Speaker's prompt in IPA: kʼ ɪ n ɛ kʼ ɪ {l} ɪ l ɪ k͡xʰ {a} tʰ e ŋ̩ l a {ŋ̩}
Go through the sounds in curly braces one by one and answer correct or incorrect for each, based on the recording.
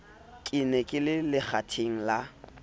correct, correct, incorrect: none

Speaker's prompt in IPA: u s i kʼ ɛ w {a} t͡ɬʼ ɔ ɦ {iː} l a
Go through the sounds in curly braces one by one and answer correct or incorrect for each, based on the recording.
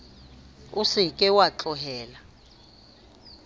correct, incorrect: ɛː

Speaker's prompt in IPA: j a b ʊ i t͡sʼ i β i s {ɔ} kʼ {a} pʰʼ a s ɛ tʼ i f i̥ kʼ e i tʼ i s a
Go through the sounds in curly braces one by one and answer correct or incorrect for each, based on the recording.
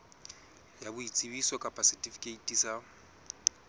correct, correct

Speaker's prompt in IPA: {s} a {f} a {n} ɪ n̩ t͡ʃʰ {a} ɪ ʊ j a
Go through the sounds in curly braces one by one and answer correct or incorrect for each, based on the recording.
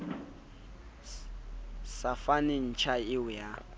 correct, correct, correct, correct

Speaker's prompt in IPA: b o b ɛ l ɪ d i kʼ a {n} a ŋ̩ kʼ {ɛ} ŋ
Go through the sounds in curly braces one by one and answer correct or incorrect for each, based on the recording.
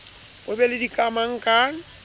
incorrect: m, incorrect: a

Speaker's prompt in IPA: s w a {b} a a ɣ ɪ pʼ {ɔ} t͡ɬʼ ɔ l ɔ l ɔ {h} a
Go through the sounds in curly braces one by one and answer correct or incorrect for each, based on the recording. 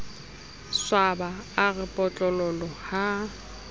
correct, correct, correct

